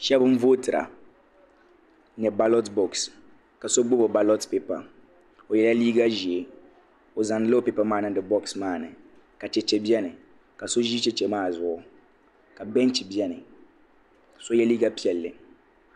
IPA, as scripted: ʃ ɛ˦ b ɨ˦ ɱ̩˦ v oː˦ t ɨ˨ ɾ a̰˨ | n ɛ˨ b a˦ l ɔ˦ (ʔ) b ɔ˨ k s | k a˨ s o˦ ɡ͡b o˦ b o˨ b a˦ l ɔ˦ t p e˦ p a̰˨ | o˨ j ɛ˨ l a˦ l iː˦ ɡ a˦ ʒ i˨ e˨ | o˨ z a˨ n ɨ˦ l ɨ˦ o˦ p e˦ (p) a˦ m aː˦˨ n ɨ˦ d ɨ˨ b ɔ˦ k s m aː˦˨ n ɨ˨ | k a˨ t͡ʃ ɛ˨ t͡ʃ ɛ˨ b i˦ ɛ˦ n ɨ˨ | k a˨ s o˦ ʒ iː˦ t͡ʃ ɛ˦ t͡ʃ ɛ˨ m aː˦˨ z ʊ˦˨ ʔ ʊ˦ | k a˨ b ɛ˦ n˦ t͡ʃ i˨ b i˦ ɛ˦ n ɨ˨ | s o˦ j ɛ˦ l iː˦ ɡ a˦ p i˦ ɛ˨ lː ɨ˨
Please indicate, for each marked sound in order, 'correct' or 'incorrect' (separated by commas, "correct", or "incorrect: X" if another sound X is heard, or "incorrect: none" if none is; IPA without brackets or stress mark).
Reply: incorrect: t, correct